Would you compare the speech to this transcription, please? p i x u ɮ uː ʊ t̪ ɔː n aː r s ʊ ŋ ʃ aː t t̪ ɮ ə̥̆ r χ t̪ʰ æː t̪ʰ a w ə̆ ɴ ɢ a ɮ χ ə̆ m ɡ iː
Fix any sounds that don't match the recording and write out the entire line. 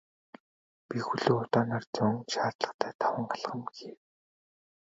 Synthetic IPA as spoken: p i x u ɮ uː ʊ t̪ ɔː n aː r t͡s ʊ ŋ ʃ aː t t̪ ɮ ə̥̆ χ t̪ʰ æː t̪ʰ a w ə̆ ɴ ɢ a ɮ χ ə̆ m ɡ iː